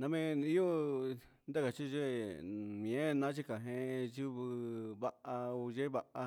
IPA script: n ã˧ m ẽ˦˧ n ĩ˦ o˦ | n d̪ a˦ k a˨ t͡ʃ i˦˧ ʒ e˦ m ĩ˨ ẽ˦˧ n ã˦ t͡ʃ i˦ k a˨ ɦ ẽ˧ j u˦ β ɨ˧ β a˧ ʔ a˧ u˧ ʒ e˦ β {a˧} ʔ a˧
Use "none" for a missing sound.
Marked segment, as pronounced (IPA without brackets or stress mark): a˧